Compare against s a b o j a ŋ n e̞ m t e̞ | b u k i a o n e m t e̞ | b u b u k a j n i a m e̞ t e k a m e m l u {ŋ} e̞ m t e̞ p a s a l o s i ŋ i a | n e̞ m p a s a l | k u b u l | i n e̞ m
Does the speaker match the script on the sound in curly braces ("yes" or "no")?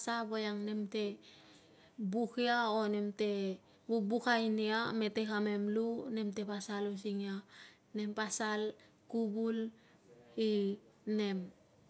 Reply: no